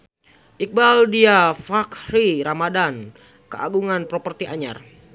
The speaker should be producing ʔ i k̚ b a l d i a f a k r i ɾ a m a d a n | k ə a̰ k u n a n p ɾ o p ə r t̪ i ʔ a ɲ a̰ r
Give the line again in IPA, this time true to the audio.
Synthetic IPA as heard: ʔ i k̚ b a l d i a f a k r i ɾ a m a d a n | k ə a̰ ɡ u ŋ a n p ɾ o p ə r t̪ i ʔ a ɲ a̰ r